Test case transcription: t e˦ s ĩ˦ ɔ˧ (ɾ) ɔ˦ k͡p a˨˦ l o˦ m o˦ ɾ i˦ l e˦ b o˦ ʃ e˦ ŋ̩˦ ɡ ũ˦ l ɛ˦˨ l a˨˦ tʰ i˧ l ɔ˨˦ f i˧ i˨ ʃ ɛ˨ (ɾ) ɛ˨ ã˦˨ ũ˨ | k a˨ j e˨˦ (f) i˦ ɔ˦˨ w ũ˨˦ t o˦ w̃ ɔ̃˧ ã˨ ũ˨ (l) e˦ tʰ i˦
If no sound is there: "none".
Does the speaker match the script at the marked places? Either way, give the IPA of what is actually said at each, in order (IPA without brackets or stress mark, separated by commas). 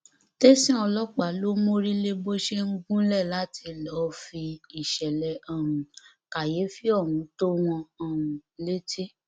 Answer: l, l, f, l